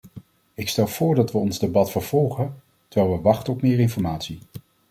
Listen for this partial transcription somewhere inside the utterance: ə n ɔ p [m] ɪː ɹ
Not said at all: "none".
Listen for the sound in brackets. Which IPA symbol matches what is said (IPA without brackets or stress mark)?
m